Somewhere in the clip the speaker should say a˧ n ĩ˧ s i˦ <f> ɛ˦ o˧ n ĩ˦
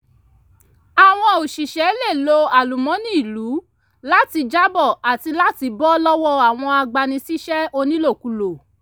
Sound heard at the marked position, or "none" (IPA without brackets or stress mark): ʃ